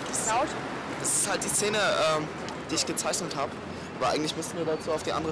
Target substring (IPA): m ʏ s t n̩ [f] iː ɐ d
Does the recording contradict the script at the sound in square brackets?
yes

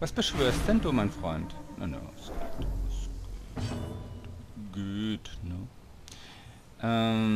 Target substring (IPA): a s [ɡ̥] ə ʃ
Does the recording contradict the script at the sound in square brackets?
yes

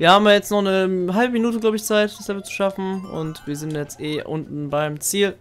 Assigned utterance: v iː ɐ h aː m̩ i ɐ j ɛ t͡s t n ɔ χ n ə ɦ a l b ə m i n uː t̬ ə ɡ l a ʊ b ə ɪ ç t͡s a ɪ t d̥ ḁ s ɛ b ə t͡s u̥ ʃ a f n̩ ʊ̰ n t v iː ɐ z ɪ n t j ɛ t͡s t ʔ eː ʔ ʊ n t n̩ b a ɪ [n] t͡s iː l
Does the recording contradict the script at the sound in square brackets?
yes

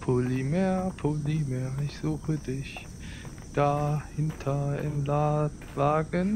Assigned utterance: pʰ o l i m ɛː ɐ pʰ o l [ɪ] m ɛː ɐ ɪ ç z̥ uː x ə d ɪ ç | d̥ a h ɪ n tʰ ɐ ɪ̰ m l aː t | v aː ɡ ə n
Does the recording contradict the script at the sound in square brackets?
yes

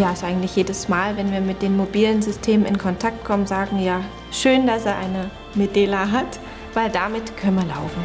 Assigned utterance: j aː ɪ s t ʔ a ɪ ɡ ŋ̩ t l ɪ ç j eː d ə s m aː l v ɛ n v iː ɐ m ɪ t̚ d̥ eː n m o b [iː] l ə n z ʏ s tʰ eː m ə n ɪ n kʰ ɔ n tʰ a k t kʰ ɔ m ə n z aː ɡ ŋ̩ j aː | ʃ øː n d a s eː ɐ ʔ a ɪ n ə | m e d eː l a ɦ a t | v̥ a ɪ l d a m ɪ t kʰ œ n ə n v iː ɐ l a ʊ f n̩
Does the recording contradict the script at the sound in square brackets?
no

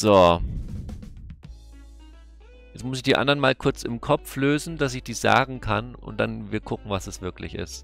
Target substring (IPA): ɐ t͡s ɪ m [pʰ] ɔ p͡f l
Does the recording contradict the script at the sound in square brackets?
yes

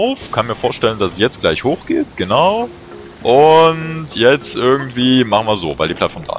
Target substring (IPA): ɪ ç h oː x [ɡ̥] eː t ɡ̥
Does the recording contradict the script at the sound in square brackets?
no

